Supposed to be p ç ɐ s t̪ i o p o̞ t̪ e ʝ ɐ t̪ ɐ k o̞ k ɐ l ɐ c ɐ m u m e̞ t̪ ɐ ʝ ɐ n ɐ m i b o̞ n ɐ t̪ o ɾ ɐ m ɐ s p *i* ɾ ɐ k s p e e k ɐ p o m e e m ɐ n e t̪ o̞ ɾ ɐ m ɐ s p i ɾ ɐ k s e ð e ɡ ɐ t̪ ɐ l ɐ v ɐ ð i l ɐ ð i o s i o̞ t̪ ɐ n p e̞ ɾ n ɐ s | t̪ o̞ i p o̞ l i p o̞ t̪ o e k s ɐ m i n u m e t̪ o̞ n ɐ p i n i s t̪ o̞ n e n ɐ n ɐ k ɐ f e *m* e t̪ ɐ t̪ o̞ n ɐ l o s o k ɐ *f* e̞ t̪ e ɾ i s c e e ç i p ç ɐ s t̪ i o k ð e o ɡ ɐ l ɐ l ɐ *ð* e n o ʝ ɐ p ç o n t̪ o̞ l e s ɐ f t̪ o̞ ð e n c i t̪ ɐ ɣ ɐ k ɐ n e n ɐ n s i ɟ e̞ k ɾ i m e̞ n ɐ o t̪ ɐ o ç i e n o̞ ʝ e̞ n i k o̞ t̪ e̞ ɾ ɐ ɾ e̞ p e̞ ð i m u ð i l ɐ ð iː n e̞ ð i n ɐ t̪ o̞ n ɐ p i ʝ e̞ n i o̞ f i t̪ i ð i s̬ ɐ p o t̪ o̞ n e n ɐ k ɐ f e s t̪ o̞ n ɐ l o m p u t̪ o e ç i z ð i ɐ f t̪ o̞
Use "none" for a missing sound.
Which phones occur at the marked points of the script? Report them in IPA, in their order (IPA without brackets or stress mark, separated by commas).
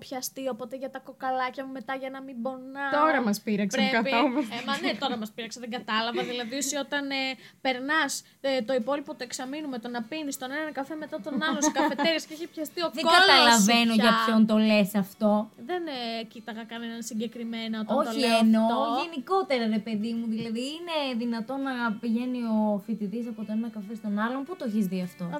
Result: i, m, f, v